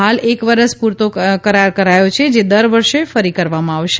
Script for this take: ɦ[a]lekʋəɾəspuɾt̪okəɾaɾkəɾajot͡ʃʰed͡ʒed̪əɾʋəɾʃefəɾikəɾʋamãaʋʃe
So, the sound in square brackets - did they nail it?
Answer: yes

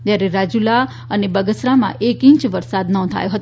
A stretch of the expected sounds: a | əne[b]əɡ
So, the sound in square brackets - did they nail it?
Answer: yes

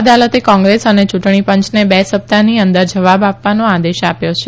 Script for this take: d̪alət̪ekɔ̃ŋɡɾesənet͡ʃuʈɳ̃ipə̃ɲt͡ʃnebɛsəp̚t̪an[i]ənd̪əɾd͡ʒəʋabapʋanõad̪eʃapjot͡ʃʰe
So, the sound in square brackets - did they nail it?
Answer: yes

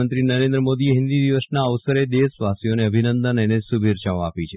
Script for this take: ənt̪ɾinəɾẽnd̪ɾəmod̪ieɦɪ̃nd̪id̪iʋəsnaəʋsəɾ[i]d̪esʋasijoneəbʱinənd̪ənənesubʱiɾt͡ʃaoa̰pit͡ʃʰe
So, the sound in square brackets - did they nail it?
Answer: no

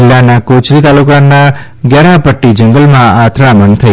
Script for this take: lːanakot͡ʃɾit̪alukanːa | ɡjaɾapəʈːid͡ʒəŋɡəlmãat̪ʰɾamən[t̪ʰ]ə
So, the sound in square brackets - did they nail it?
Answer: yes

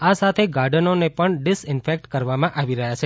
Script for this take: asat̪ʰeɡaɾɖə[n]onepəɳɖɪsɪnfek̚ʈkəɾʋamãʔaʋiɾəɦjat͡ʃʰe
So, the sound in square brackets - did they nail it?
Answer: yes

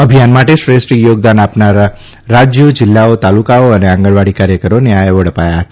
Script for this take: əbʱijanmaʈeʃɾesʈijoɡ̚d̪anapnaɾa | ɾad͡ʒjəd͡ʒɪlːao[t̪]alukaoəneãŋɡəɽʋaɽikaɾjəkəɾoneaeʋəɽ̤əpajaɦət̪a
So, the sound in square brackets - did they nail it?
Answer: yes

